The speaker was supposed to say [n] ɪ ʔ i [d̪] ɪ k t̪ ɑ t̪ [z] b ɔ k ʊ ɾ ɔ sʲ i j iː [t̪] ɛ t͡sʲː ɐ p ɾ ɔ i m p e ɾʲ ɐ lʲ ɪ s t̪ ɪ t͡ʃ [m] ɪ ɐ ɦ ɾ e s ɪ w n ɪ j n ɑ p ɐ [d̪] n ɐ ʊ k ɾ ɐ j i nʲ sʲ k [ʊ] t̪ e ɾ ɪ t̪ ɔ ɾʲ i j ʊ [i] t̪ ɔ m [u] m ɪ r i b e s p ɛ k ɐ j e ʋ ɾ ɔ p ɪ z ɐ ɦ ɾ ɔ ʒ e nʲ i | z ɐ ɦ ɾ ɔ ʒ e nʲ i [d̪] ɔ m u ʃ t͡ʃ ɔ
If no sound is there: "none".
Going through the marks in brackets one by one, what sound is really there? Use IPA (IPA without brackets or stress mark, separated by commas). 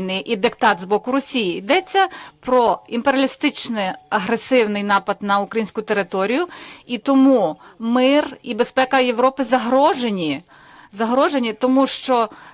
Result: n, d̪, z, d̪, n, d̪, ʊ, i, u, t̪